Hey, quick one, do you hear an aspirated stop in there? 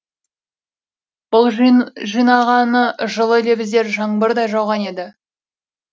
no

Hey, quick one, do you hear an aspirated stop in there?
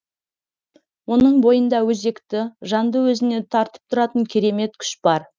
yes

